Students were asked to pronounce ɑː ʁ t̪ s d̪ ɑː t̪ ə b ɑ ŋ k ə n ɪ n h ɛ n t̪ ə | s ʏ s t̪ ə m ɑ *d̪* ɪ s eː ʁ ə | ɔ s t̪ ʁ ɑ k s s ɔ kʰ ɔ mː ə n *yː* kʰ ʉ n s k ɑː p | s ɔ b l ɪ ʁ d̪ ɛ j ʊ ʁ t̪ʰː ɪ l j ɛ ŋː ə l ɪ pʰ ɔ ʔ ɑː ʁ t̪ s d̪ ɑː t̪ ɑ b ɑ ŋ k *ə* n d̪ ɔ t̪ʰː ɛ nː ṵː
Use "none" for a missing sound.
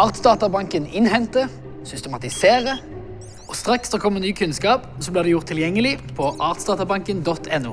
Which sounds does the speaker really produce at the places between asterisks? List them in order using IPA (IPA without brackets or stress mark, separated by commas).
t̪, yː, ə